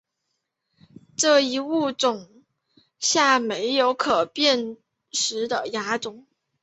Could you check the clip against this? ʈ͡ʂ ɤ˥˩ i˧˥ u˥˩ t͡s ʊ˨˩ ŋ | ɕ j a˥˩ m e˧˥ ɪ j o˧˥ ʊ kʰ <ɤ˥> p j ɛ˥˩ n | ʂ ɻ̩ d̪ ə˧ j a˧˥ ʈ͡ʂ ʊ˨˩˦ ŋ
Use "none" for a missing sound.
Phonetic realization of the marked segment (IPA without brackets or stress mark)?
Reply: ɤ˨˩